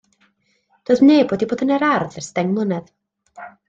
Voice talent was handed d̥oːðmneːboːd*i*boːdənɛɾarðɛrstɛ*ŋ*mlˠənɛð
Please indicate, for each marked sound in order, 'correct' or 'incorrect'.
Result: correct, correct

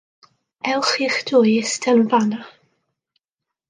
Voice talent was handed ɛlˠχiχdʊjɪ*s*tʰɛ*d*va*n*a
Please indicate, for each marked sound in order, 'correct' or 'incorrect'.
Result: correct, incorrect: n, correct

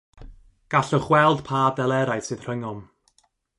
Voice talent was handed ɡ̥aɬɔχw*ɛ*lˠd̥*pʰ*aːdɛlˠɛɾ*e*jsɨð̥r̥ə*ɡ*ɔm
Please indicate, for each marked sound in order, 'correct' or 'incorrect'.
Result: correct, correct, incorrect: a, incorrect: ŋ

